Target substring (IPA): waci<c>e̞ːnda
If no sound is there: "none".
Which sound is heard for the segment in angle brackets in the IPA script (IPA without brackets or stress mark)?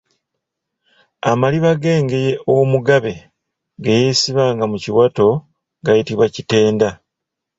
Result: t